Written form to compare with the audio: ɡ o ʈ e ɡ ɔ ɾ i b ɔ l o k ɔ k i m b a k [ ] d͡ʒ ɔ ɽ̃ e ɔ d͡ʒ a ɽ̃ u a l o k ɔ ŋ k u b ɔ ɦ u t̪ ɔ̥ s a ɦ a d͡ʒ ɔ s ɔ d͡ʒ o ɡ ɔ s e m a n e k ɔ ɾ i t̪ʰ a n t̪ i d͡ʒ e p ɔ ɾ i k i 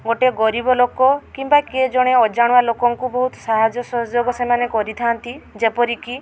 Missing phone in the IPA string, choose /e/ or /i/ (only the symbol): e